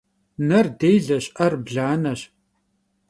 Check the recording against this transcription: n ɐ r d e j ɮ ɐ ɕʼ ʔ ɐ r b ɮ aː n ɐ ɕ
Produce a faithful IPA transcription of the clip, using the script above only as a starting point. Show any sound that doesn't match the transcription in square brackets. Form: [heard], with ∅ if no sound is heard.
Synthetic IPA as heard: n ɐ r d e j ɮ ɐ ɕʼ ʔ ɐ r b ɮ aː n ɐ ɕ